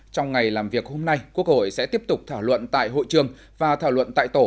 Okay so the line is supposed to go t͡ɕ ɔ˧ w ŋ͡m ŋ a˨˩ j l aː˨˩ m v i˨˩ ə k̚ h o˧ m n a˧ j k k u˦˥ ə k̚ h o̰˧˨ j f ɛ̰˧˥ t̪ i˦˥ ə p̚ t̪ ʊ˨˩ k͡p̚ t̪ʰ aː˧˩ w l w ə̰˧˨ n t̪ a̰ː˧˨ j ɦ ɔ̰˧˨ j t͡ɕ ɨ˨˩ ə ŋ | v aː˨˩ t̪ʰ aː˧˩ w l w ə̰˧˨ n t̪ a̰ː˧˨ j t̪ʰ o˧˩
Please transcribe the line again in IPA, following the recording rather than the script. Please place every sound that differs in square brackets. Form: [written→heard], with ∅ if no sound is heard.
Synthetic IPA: t͡ɕ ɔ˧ w ŋ͡m ŋ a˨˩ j l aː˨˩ m v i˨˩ ə k̚ h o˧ m n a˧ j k k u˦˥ ə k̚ h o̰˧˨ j [f→s] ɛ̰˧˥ t̪ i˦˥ ə p̚ t̪ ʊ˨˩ k͡p̚ t̪ʰ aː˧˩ w l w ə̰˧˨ n t̪ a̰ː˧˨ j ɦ [ɔ̰˧˨→o̰˧˨] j t͡ɕ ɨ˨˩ ə ŋ | v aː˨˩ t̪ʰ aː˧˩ w l w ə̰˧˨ n t̪ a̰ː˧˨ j [t̪ʰ→t̪] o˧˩